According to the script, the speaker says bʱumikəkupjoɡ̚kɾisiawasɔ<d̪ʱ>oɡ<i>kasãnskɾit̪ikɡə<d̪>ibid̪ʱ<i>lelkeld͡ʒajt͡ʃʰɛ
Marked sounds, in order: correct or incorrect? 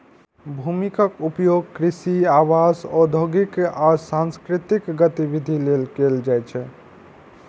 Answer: correct, correct, incorrect, correct

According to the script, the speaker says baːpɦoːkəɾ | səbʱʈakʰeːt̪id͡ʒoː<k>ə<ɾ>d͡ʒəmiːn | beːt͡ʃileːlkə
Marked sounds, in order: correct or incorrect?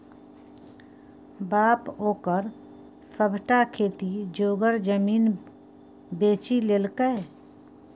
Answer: incorrect, correct

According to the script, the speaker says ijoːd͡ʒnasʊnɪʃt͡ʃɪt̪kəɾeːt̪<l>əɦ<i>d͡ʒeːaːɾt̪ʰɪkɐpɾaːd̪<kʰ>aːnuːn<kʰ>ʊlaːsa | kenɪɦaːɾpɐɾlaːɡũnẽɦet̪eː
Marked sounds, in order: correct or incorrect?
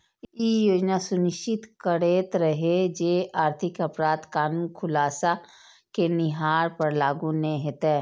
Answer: incorrect, incorrect, incorrect, correct

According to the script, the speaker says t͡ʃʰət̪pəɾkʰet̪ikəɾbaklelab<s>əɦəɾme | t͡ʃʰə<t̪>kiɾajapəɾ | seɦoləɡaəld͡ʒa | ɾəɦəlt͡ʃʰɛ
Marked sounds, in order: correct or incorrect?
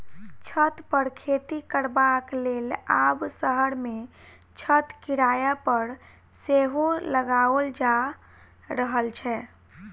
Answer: correct, correct

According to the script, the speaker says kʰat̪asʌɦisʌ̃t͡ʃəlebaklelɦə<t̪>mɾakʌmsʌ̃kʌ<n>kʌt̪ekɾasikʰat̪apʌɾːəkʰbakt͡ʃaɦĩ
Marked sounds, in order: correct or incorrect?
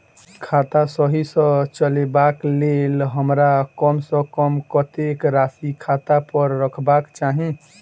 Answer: incorrect, incorrect

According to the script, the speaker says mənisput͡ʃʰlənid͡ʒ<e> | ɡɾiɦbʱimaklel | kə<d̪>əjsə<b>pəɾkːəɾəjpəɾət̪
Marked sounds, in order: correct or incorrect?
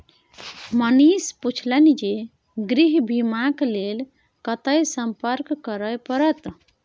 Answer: correct, incorrect, incorrect

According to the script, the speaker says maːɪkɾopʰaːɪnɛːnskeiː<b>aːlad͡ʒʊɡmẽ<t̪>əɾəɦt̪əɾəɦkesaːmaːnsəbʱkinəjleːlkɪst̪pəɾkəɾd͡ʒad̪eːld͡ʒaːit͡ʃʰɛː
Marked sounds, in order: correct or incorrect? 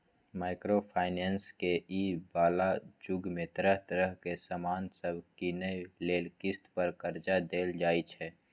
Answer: correct, correct

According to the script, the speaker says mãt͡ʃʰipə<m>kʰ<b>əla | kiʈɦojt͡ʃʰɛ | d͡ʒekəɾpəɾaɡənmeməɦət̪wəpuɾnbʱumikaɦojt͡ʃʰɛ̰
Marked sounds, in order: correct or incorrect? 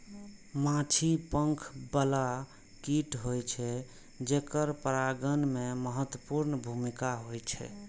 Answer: incorrect, correct

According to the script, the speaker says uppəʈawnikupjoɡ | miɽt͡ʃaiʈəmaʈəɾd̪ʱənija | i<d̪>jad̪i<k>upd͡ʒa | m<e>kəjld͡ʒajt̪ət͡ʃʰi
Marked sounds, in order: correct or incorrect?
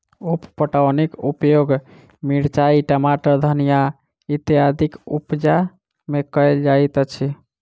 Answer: incorrect, correct, correct

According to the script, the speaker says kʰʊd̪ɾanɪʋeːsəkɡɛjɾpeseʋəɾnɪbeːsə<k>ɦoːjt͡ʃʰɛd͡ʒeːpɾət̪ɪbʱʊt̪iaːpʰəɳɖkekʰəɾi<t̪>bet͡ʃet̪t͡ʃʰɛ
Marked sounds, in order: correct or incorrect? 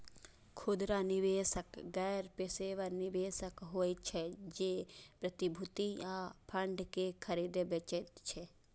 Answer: correct, incorrect

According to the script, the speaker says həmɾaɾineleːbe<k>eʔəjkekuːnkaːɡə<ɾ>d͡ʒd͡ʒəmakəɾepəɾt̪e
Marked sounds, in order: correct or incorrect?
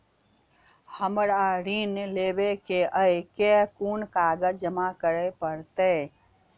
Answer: correct, incorrect

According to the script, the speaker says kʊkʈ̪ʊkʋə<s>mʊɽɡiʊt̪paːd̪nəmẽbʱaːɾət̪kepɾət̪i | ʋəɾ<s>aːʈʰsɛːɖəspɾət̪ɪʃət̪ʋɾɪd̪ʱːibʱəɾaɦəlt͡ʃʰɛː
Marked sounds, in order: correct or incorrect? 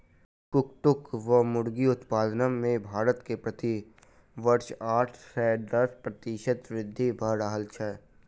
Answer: incorrect, incorrect

